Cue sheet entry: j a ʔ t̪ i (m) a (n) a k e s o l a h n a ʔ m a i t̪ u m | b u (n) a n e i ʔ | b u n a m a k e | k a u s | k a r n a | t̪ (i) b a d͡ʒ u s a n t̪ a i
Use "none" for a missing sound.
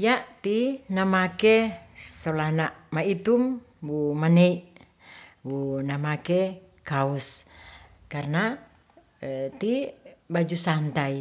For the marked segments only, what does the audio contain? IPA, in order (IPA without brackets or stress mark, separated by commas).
n, m, m, i